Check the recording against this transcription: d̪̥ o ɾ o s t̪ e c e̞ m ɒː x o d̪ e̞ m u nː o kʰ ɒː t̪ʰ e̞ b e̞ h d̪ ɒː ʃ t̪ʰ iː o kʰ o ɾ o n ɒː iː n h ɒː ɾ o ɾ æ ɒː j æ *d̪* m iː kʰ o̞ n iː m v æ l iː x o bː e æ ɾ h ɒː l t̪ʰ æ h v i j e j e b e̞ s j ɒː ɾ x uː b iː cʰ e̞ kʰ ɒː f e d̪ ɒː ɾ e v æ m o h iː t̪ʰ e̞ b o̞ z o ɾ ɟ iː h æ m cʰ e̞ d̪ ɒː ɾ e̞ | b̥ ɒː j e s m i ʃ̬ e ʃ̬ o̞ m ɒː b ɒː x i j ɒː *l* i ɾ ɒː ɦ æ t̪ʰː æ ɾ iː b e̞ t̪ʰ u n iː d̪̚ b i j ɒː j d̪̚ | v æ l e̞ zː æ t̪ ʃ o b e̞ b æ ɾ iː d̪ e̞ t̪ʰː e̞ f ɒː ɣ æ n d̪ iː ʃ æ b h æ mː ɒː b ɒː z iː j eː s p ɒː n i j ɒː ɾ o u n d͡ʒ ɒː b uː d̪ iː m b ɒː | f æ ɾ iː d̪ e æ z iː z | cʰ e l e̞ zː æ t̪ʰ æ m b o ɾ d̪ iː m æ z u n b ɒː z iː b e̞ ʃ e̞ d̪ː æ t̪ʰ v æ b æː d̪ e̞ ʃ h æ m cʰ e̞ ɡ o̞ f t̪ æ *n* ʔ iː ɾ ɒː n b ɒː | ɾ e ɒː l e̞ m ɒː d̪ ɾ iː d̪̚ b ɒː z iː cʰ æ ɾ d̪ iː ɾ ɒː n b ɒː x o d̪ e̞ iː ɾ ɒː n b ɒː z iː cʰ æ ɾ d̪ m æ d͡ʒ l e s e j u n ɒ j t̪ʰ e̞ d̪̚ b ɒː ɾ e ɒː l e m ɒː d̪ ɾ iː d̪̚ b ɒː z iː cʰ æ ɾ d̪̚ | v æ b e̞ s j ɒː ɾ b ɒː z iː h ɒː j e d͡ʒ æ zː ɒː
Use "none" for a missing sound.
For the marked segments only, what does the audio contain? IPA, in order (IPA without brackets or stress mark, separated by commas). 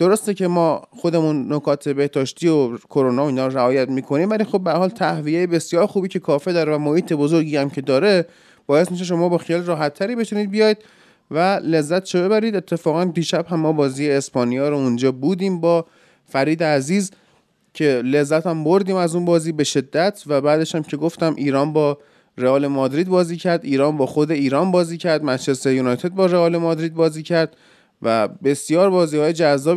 t̪, l, m